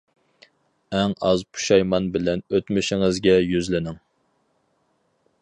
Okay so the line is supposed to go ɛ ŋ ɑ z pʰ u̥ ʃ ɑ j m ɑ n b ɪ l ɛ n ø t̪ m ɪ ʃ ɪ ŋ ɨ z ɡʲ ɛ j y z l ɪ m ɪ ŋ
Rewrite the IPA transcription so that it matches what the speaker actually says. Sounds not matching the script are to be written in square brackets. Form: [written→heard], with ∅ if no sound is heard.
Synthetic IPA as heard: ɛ ŋ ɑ z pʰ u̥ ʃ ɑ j m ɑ n b ɪ l ɛ n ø t̪ m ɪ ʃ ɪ ŋ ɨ z ɡʲ ɛ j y z l ɪ [m→n] ɪ ŋ